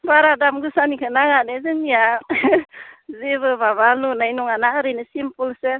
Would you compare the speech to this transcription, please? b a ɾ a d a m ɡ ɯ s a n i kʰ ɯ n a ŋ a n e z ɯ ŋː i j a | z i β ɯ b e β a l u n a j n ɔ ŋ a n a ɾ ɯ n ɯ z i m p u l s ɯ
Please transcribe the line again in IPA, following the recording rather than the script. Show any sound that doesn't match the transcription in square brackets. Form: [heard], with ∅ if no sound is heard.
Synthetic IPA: b a ɾ a d a m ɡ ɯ s a n i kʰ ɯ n a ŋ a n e z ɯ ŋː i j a | z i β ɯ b [a] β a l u n a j n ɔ ŋ a n a ɾ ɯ n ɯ [s] i m p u l s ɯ